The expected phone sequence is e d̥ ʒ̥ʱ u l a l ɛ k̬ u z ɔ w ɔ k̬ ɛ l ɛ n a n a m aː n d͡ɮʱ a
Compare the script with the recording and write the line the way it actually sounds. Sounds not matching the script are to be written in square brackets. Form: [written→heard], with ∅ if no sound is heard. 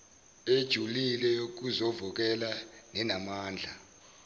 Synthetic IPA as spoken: e d̥ ʒ̥ʱ u l [a→i] l ɛ k̬ u z ɔ [w→v] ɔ k̬ ɛ l [ɛ→a] n [a→ɛ] n a m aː n d͡ɮʱ a